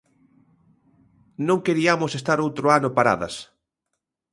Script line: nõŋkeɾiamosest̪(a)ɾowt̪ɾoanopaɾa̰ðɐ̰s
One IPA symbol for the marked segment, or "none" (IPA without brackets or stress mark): a